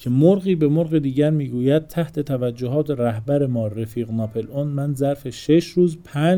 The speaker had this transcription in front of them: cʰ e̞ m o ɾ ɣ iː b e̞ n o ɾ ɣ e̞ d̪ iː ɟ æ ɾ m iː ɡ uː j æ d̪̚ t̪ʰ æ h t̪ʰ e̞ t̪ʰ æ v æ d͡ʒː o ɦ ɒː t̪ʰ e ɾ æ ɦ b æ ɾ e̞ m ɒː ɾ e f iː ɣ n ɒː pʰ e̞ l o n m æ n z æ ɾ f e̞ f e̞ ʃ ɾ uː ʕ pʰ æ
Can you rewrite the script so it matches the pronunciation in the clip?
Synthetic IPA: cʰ e̞ m o ɾ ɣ iː b e̞ m o ɾ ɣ e̞ d̪ iː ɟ æ ɾ m iː ɡ uː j æ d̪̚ t̪ʰ æ h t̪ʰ e̞ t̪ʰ æ v æ d͡ʒː o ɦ ɒː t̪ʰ e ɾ æ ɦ b æ ɾ e̞ m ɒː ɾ e f iː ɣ n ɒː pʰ e̞ l o n m æ n z æ ɾ f e̞ ʃ e̞ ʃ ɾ uː z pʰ æ